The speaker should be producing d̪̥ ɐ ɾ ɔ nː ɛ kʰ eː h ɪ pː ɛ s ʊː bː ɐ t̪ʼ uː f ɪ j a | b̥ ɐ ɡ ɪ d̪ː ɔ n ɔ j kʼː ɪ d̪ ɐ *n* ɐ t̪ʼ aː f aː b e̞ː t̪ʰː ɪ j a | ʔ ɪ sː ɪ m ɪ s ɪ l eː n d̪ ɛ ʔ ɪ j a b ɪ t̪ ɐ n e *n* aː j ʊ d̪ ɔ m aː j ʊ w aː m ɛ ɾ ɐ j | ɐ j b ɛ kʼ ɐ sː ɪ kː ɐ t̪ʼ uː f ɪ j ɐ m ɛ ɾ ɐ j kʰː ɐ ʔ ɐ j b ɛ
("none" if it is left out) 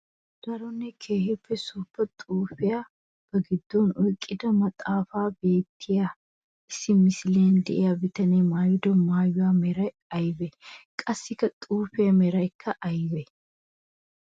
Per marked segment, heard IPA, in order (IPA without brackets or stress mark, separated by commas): m, m